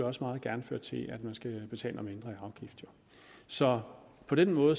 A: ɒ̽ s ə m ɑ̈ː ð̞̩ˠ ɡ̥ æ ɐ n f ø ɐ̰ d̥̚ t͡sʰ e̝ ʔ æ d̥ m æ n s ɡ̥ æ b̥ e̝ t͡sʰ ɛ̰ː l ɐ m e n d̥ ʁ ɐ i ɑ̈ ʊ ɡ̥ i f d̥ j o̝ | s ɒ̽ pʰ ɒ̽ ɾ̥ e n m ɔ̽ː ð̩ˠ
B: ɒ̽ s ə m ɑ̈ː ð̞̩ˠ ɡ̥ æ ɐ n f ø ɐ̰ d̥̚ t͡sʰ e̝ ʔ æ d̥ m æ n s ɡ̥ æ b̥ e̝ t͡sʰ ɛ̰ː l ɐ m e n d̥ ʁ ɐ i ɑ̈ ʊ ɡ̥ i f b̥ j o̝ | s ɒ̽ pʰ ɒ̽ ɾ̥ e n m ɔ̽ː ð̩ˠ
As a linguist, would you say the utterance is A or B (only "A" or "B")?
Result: A